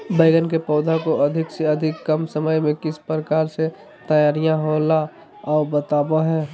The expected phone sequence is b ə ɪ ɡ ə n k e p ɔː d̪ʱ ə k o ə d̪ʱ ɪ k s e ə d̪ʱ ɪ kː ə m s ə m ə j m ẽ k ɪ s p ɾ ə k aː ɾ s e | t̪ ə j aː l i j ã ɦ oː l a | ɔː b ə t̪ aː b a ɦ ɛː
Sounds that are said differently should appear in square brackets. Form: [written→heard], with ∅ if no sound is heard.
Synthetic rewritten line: b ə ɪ ɡ ə n k e p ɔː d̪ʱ [ə→a] k o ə d̪ʱ ɪ k s e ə d̪ʱ ɪ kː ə m s ə m ə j m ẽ k ɪ s p ɾ ə k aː ɾ s e | t̪ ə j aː [l→ɾ] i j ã ɦ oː l a | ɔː b ə t̪ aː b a ɦ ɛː